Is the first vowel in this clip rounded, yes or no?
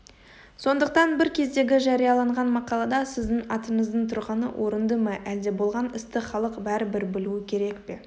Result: yes